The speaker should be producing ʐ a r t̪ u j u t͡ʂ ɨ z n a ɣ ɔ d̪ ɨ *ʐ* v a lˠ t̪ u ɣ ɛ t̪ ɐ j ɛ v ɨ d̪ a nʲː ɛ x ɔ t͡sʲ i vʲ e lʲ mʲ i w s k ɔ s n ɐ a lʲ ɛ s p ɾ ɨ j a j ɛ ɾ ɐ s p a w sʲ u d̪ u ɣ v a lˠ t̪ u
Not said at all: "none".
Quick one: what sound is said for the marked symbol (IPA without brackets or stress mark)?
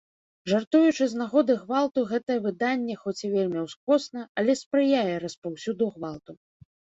ɣ